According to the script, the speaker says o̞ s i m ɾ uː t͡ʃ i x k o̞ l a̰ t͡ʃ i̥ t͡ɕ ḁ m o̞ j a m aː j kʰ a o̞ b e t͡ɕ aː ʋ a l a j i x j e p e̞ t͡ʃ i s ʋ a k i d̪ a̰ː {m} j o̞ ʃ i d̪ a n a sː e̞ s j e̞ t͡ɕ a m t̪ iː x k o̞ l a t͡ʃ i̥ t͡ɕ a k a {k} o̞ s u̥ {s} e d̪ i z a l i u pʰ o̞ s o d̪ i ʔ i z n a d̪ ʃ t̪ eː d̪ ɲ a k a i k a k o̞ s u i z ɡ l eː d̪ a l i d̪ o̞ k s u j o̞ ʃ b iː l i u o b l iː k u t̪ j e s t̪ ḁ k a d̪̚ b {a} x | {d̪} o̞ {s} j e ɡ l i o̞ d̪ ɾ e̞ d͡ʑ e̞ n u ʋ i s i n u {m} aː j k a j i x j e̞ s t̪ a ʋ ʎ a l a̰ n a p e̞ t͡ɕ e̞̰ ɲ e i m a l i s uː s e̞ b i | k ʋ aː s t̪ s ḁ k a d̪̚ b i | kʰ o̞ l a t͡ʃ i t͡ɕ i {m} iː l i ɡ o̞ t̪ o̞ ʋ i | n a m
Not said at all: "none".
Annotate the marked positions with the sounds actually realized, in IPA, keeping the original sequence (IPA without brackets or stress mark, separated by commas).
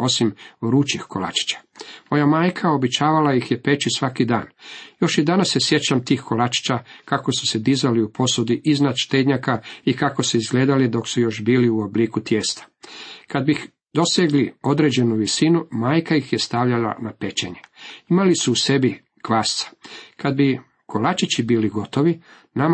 n, k, s, i, d̪, s, m, b